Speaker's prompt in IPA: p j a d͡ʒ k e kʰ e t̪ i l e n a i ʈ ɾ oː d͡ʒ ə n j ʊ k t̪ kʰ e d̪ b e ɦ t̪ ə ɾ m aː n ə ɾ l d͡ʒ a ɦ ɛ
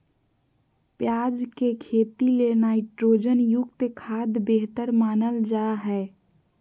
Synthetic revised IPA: p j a d͡ʒ k e kʰ e t̪ i l e n a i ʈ ɾ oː d͡ʒ ə n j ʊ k t̪ kʰ a d̪ b e ɦ t̪ ə ɾ m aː n ə l d͡ʒ a ɦ ɛ